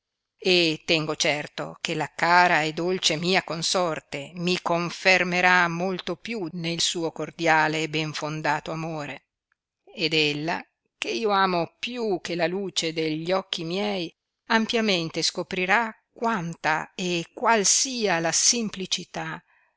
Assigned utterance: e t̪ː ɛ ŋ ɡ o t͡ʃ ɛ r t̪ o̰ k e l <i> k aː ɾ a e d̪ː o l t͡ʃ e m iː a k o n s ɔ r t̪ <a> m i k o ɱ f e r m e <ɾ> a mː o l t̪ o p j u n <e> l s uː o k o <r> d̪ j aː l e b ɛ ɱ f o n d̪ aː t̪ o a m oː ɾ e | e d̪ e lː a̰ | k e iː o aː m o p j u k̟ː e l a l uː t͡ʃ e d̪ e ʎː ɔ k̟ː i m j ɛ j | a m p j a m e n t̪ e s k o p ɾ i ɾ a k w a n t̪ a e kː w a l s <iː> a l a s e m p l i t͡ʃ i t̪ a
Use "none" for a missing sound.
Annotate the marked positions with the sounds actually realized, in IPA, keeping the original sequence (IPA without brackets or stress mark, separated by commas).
a, e, ɾ, e, r, iː